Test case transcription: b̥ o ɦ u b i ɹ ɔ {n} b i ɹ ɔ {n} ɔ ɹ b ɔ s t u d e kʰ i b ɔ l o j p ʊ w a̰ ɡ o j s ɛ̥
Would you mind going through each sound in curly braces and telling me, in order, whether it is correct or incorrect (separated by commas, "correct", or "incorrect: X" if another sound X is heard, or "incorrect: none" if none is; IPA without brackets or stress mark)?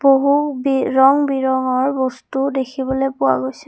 incorrect: ŋ, incorrect: ŋ